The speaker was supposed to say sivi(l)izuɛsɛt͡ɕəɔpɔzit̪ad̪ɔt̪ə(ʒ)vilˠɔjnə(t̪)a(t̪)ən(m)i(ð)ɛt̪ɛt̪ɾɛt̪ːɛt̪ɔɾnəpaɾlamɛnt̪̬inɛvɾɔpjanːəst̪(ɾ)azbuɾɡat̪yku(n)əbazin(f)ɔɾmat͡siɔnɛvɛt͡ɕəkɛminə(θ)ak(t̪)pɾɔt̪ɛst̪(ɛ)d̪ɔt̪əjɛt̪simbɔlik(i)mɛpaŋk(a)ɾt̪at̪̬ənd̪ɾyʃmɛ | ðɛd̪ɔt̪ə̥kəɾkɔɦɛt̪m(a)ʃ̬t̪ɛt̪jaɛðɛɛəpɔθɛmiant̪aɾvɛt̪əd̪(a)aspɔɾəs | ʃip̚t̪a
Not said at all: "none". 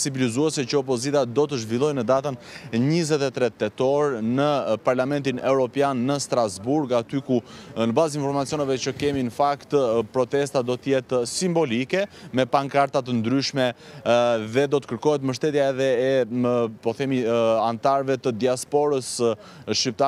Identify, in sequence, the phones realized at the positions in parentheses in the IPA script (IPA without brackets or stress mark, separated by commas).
l, ʒ, d̪, t̪, ɲ, z, ɾ, n, f, f, t̪, a, ɛ, a, ə, i